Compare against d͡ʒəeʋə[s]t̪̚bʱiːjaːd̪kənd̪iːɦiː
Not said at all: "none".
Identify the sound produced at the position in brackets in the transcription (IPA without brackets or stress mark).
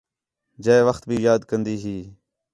x